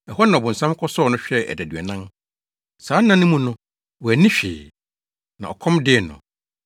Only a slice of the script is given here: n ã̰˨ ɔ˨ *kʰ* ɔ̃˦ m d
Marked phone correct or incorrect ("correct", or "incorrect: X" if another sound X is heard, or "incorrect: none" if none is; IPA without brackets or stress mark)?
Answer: correct